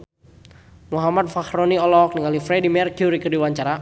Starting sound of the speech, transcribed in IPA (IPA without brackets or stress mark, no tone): m